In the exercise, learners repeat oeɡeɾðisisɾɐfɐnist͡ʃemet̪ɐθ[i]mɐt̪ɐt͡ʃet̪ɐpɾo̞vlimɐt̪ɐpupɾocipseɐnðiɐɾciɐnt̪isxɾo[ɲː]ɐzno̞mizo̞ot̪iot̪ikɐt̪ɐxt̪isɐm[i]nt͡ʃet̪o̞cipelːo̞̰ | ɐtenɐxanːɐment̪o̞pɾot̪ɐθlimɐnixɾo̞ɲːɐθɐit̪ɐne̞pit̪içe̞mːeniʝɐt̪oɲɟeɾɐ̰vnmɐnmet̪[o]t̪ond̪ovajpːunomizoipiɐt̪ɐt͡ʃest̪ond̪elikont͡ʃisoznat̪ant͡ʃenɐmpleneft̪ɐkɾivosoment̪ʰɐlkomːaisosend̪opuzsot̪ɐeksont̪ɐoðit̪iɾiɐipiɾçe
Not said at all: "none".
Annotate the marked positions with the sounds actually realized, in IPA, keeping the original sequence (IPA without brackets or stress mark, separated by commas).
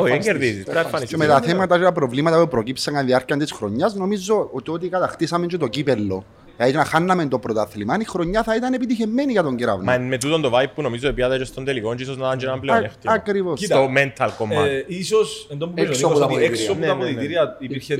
e, ɲː, e, u